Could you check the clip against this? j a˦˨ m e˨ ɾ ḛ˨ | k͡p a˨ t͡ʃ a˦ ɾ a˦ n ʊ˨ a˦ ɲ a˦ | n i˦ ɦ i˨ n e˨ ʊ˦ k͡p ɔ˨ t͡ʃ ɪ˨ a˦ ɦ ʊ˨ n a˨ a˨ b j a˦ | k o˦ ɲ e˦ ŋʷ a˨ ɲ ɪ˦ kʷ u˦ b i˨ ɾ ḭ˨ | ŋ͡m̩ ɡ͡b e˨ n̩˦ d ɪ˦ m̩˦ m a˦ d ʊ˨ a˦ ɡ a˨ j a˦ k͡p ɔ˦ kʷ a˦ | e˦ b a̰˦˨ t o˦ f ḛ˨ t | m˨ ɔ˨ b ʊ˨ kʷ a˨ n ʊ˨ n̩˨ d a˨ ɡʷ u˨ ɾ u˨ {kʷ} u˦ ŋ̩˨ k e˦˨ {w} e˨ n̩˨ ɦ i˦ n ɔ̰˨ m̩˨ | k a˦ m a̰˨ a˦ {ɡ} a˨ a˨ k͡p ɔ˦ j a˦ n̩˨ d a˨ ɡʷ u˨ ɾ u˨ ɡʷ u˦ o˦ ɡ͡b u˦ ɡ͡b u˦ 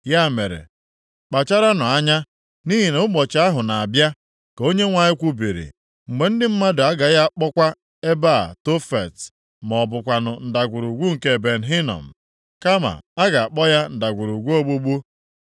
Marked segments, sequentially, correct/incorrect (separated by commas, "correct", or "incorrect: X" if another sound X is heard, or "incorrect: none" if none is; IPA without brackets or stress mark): incorrect: ɡʷ, incorrect: b, correct